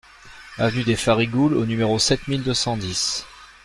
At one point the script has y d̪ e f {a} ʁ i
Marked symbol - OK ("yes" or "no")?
yes